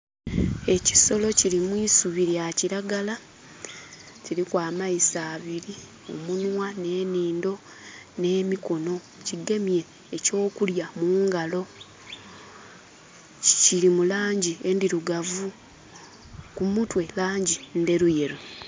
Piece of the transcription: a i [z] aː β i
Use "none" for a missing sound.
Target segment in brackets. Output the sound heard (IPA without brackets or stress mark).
s